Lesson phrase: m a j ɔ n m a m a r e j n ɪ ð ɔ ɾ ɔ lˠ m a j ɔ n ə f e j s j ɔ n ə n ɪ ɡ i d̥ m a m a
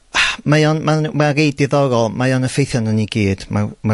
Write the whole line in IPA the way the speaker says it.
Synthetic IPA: m a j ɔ n m a m a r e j d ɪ ð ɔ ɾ ɔ lˠ m a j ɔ n ə f e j θ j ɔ n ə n i ɡ iː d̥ m a m a